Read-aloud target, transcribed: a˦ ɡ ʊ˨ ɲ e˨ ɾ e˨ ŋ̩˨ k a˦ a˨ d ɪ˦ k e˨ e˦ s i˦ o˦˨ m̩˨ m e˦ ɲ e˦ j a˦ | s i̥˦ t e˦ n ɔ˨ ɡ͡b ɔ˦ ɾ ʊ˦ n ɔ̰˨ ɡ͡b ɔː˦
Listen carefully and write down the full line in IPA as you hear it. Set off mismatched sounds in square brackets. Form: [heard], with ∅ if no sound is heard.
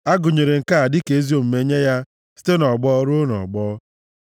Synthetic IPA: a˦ ɡ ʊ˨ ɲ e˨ ɾ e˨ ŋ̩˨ k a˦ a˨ d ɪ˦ k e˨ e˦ [z] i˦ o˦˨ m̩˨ m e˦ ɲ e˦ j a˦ | s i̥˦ t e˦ n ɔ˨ ɡ͡b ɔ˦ ɾ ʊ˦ n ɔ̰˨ ɡ͡b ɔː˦